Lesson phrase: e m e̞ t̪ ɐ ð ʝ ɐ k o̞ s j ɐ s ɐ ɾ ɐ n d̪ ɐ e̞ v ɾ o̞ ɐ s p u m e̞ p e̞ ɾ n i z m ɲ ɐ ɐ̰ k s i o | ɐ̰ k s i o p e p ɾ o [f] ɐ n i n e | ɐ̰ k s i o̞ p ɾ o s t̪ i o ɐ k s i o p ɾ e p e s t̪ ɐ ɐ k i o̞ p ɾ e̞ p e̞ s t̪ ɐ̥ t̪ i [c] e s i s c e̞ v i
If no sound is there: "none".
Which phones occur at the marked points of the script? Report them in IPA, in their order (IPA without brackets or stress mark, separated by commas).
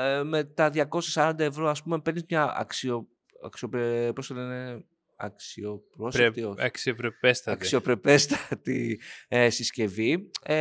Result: s, none